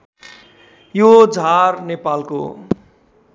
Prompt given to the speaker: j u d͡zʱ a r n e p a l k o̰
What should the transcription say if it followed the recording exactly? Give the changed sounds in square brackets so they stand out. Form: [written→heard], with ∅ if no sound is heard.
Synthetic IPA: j [u→o] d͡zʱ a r n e p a l k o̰